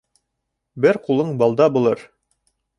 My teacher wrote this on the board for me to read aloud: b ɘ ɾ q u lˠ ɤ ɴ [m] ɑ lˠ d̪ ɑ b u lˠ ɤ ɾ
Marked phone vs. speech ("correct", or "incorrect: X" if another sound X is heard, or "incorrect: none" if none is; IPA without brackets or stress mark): incorrect: b